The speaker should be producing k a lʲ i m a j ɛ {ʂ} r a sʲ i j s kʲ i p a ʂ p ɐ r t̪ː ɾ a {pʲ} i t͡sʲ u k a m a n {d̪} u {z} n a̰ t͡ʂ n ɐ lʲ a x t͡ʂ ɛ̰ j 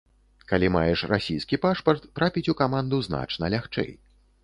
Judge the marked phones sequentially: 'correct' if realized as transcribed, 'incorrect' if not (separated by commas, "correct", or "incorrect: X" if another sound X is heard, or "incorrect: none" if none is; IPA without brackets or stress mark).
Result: correct, correct, correct, correct